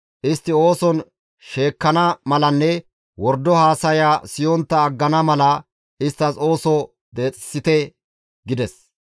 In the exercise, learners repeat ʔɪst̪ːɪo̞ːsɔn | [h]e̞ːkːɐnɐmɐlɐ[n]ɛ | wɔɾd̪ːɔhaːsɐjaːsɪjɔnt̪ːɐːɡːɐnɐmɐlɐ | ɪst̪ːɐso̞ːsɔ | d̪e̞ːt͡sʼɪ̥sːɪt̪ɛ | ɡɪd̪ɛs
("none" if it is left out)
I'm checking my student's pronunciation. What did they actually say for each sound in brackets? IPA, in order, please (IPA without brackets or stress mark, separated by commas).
ʃ, nː